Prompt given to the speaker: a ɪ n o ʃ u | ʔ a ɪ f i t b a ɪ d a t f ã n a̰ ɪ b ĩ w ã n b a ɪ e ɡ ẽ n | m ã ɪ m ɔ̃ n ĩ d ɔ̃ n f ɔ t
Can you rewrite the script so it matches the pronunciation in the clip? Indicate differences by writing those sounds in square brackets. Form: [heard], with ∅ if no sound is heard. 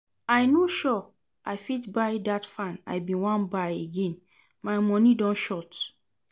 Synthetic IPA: a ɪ n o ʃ [ɔ] | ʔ a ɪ f i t b a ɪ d a t f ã n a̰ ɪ b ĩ w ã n b a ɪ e ɡ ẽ n | m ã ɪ m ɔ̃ n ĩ d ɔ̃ n [ʃ] ɔ t